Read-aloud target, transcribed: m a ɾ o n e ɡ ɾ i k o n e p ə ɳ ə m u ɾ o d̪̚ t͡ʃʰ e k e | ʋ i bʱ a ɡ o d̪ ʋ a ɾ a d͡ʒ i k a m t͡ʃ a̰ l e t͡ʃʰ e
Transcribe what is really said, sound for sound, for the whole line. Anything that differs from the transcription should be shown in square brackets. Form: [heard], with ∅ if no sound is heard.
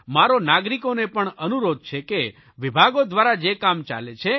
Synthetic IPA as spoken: m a ɾ o n [a] ɡ ɾ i k o n e p ə ɳ ə [n] u ɾ o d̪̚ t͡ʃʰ e k e | ʋ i bʱ a ɡ o d̪ ʋ a ɾ a d͡ʒ [e] k a m t͡ʃ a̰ l e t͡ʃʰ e